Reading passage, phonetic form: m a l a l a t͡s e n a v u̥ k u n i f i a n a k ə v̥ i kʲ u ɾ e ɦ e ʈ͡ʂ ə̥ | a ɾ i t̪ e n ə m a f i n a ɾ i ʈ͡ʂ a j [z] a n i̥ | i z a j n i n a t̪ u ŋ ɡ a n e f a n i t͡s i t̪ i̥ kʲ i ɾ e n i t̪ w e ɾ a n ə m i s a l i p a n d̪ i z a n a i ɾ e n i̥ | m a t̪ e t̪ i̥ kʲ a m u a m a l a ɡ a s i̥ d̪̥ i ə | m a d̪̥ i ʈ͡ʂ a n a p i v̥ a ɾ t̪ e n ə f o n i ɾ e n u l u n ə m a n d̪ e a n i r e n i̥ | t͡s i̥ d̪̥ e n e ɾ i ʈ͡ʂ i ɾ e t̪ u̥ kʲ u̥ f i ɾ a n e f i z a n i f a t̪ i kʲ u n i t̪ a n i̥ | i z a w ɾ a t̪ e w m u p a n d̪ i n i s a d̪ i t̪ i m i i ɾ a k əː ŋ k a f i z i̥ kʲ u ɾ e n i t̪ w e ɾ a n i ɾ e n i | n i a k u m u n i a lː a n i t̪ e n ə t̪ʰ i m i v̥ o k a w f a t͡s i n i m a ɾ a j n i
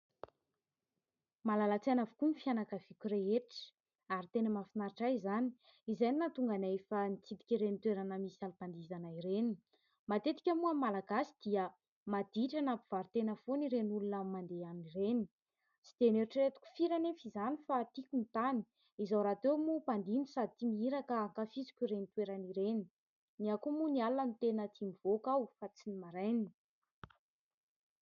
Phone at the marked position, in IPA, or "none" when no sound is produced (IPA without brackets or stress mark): z